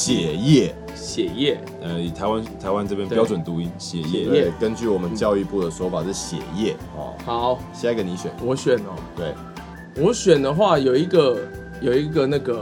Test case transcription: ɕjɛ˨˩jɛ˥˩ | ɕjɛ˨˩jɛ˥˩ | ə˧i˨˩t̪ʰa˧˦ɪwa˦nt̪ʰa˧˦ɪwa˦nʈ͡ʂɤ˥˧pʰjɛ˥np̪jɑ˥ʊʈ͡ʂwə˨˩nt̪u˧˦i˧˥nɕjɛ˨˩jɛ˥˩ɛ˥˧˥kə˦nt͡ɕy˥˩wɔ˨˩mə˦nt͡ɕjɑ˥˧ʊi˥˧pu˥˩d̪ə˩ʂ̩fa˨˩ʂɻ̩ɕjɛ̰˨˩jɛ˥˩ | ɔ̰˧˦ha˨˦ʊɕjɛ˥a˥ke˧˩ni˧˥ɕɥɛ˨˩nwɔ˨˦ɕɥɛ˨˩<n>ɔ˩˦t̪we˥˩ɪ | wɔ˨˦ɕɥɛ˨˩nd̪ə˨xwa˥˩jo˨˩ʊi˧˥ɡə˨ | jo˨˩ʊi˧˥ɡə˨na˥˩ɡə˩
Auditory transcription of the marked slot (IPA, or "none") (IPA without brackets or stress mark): n